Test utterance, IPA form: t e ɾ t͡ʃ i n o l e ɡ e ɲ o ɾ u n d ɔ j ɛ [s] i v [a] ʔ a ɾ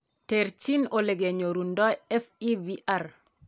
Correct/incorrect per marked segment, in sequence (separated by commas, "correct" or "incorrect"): incorrect, incorrect